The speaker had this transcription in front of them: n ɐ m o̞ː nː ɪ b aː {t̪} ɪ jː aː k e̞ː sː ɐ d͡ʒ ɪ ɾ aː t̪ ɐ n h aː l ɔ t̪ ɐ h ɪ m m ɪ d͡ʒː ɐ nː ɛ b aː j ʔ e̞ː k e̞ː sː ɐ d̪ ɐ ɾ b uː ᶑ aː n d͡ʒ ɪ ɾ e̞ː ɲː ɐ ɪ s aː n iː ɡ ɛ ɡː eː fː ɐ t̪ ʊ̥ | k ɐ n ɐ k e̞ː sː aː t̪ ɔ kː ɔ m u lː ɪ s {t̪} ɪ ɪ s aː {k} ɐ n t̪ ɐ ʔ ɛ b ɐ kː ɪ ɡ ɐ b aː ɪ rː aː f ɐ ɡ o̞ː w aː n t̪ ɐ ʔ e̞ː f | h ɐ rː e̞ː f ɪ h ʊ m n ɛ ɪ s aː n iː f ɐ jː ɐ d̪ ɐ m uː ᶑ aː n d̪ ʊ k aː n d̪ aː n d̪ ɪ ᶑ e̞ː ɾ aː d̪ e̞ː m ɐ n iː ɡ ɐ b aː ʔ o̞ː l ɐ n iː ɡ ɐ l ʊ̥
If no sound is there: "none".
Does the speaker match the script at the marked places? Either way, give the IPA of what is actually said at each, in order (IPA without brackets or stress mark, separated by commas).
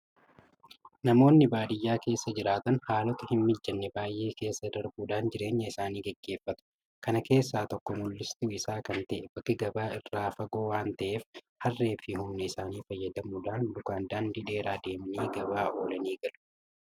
d̪, t̪, k